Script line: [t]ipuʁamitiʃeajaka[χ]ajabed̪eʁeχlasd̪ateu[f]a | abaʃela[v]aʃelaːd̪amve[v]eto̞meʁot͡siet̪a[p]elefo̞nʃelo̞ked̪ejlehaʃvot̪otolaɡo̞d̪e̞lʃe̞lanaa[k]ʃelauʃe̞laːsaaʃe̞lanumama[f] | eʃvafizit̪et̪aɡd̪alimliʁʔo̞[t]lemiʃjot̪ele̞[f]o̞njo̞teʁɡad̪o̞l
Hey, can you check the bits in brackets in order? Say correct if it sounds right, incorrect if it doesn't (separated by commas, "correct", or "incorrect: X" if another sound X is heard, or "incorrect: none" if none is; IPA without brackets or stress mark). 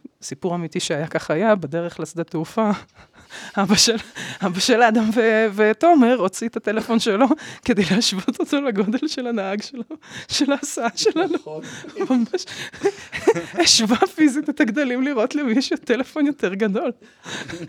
incorrect: s, correct, correct, incorrect: b, correct, incorrect: t, incorrect: ɡ, incorrect: ʃ, correct, correct